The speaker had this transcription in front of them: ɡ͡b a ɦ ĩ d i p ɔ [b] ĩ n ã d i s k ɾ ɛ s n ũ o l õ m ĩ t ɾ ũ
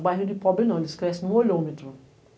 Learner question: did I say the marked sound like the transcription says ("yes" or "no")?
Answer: yes